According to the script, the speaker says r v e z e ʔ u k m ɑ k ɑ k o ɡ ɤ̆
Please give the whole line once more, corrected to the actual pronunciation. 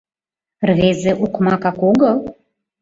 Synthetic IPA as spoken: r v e z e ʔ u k m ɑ k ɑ k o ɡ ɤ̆